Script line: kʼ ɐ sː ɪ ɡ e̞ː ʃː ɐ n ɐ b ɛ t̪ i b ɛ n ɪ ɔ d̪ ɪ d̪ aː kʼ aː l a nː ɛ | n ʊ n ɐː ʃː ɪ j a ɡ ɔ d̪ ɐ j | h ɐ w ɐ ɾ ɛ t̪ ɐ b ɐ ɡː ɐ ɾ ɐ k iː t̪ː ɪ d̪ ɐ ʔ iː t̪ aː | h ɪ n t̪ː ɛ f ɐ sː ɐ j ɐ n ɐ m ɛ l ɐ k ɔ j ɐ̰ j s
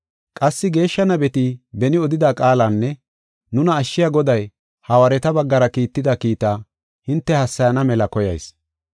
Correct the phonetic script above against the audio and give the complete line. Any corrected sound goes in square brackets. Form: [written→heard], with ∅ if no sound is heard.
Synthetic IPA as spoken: kʼ ɐ sː ɪ ɡ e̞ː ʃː ɐ n ɐ b ɛ t̪ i b ɛ n ɪ ɔ d̪ ɪ d̪ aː kʼ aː l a nː ɛ | n ʊ n ɐː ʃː ɪ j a ɡ ɔ d̪ ɐ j | h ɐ w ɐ ɾ ɛ t̪ ɐ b ɐ ɡː ɐ ɾ ɐ k iː t̪ː ɪ d̪ ɐ [ʔ→k] iː t̪ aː | h ɪ n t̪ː ɛ [f→h] ɐ sː ɐ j ɐ n ɐ m ɛ l ɐ k ɔ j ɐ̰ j s